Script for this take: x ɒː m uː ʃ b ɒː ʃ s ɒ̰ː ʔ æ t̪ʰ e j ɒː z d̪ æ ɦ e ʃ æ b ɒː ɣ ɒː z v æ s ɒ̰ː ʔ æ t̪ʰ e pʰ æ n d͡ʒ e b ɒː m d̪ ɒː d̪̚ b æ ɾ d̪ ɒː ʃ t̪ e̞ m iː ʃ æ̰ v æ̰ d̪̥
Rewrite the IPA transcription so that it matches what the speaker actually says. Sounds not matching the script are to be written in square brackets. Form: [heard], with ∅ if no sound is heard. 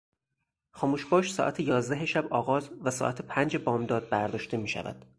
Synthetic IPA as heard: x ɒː m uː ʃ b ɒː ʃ s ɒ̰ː ʔ æ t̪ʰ e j ɒː z d̪ æ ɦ e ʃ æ b ɒː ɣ ɒː z v æ s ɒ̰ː ʔ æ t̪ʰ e pʰ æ n d͡ʒ e b ɒː m d̪ ɒː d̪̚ b æ ɾ d̪ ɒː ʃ t̪ e̞ m iː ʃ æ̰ v æ̰ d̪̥